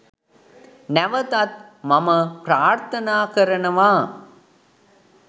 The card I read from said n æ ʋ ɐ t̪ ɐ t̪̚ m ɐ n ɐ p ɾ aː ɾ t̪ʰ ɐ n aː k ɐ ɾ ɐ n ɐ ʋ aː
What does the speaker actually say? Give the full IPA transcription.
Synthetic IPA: n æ ʋ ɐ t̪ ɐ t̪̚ m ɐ m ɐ p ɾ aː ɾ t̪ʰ ɐ n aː k ɐ ɾ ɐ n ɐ ʋ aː